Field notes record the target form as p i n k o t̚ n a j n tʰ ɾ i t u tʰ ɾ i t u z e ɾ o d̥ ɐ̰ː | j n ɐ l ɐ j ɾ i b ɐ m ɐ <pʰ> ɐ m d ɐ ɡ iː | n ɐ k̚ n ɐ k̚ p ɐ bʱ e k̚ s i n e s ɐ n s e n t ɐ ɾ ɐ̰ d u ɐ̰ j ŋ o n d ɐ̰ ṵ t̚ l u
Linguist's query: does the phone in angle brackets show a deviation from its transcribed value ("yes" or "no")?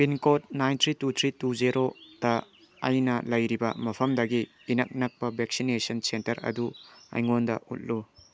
no